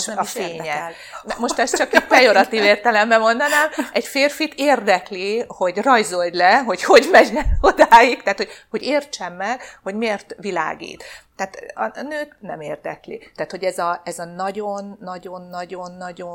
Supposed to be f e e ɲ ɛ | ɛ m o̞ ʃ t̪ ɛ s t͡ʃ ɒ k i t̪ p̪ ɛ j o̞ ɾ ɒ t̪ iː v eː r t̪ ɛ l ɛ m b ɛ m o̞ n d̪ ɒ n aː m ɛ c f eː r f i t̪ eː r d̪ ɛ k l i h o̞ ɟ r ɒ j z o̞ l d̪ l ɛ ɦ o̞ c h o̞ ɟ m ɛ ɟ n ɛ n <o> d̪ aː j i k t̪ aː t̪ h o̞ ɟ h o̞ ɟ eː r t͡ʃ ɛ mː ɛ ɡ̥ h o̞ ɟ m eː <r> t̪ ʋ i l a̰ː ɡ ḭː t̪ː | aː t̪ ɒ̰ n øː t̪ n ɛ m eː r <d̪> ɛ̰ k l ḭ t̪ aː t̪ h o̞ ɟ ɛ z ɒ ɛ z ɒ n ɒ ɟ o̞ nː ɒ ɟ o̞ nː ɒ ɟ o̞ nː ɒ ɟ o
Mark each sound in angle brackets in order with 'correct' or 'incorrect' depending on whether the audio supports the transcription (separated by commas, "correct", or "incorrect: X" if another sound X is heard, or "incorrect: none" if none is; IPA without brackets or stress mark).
correct, correct, correct